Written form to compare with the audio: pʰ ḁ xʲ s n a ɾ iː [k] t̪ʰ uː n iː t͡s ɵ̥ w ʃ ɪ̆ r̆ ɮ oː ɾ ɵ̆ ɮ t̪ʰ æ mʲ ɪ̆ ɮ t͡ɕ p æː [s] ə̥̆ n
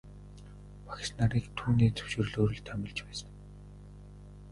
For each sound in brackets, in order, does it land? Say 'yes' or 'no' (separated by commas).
yes, yes